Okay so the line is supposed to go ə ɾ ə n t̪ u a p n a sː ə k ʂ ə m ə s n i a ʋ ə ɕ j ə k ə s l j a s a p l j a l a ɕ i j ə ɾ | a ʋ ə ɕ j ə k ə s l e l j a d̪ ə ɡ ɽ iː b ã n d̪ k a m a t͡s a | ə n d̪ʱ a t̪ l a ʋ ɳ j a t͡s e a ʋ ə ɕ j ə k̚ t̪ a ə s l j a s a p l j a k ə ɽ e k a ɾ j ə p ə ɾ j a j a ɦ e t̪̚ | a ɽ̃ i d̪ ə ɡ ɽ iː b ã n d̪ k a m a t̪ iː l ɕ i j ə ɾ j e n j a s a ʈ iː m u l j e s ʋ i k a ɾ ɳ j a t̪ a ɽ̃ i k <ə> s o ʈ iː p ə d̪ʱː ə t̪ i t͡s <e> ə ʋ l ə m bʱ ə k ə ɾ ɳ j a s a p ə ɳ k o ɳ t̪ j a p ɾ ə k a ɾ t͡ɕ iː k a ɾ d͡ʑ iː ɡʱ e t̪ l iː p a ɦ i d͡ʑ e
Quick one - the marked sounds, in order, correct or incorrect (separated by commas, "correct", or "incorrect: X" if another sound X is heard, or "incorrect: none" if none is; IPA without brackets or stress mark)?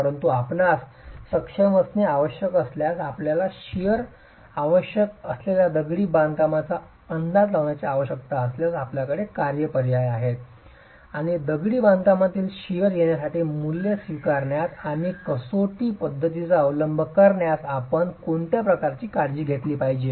correct, incorrect: a